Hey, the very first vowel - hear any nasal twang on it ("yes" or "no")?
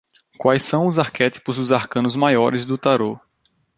no